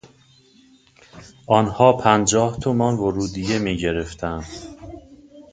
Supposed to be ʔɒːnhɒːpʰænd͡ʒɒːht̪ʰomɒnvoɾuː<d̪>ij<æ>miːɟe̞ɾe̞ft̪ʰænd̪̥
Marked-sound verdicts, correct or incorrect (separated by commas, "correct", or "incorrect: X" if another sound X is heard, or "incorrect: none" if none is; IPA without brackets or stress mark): correct, incorrect: e